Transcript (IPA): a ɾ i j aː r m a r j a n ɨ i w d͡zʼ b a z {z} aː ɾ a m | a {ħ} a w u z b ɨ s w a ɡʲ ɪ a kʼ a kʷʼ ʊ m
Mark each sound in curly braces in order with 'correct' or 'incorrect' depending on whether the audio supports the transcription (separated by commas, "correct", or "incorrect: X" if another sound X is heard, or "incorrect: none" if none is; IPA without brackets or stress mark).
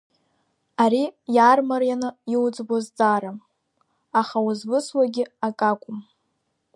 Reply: incorrect: d͡z, incorrect: χ